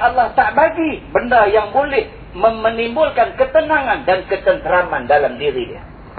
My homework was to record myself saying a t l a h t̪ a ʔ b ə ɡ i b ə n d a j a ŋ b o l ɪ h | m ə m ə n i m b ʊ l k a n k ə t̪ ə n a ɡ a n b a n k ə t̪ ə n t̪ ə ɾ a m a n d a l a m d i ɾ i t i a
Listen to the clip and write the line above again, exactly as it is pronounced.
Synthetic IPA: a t l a h t̪ a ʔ b a ɡ i b ə n d a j a ŋ b o l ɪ h | m ə m ə n i m b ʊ l k a n k ə t̪ ə n a ŋ a n d a n k ə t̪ ə n t̪ ə ɾ a m a n d a l a m d i ɾ i d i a